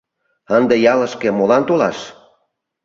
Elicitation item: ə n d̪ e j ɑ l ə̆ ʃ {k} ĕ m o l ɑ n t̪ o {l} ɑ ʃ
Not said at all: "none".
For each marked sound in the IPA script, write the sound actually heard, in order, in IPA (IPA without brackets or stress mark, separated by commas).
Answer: k, l